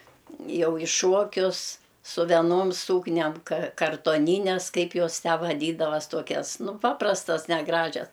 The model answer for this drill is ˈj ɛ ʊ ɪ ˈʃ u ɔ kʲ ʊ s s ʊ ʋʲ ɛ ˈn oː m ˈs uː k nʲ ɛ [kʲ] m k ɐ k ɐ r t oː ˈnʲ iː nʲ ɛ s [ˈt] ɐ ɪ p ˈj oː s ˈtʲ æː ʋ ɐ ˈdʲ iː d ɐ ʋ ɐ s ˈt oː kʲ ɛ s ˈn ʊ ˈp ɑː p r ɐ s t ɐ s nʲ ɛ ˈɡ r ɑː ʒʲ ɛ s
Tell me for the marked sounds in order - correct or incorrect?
incorrect: none, incorrect: k

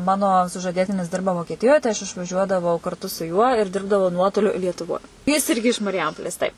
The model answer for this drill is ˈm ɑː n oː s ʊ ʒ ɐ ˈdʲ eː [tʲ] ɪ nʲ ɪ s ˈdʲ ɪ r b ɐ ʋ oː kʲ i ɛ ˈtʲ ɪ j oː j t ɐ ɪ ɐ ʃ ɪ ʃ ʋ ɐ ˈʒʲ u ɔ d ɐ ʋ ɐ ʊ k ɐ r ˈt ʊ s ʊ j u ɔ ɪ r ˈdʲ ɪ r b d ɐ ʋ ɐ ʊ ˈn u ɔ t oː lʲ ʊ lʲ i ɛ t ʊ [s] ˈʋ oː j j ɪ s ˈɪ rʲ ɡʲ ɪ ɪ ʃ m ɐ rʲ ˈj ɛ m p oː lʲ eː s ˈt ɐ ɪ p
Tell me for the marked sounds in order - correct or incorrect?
correct, incorrect: none

